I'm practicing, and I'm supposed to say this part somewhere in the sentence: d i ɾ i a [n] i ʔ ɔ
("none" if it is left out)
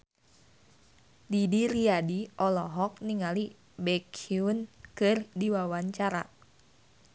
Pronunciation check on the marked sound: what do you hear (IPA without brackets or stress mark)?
d